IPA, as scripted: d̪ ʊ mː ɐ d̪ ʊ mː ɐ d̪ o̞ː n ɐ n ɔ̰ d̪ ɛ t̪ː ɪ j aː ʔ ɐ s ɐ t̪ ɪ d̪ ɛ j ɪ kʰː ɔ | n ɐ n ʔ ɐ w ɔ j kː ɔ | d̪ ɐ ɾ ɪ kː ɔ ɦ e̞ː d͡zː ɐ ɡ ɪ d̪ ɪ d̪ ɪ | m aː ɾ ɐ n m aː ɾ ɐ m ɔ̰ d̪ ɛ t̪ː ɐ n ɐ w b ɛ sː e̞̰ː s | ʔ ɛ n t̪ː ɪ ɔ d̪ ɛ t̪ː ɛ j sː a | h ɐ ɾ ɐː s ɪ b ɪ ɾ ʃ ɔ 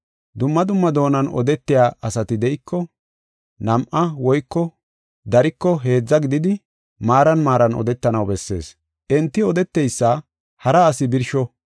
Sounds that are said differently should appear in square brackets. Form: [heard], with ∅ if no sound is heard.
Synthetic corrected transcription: d̪ ʊ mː ɐ d̪ ʊ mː ɐ d̪ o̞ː n ɐ n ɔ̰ d̪ ɛ t̪ː ɪ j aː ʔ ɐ s ɐ t̪ ɪ d̪ ɛ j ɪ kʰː ɔ | n ɐ [m] ʔ ɐ w ɔ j kː ɔ | d̪ ɐ ɾ ɪ kː ɔ ɦ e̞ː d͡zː ɐ ɡ ɪ d̪ ɪ d̪ ɪ | m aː ɾ ɐ n m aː ɾ ɐ [n] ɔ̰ d̪ ɛ t̪ː ɐ n ɐ w b ɛ sː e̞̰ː s | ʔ ɛ n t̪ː ɪ ɔ d̪ ɛ t̪ː ɛ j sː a | h ɐ ɾ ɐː s ɪ b ɪ ɾ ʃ ɔ